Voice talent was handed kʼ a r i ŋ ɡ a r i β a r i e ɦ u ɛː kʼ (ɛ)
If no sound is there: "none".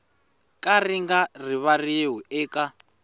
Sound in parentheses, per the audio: a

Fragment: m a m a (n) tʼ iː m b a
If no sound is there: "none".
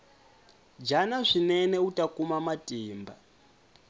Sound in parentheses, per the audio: none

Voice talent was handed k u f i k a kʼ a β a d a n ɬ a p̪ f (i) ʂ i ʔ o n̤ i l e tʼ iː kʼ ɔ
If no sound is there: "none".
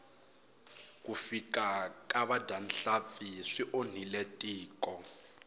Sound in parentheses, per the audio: i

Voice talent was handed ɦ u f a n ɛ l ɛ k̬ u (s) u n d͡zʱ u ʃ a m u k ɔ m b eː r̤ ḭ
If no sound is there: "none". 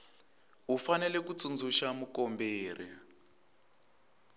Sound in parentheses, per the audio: t͡s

